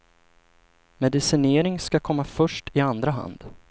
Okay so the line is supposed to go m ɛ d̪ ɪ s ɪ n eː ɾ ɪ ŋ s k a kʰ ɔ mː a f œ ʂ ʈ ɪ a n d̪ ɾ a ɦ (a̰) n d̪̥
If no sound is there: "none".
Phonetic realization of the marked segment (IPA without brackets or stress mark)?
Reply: a̰